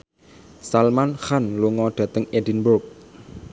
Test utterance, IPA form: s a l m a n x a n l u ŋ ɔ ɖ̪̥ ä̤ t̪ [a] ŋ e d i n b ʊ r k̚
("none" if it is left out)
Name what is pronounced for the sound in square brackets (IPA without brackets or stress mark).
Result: ə